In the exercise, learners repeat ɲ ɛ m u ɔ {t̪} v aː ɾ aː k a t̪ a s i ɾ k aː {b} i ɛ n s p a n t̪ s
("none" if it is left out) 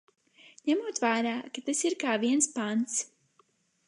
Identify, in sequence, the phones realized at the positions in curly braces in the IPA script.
t̪, v

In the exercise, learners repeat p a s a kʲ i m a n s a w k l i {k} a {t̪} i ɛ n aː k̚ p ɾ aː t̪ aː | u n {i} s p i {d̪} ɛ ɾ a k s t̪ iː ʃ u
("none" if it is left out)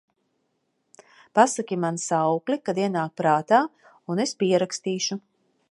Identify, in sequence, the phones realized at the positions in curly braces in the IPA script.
k, d̪, e, none

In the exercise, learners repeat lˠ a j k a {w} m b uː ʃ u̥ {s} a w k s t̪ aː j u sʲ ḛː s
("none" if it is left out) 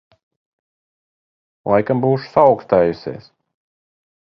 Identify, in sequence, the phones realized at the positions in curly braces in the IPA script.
none, s

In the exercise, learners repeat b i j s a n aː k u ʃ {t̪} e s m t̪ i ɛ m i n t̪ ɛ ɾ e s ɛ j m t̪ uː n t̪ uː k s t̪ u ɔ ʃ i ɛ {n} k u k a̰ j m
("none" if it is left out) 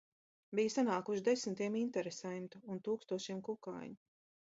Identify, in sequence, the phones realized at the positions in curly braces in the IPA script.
d̪, m

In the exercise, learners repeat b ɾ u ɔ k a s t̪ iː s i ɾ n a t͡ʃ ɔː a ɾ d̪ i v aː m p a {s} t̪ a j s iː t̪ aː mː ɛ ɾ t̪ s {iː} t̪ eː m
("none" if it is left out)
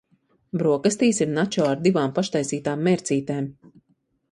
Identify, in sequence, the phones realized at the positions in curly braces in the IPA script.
ʃ, iː

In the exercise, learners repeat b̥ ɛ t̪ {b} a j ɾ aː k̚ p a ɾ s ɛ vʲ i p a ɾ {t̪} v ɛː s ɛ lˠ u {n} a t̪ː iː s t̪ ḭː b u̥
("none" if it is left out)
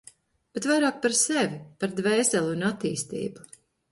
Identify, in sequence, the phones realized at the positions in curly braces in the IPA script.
v, d̪, n

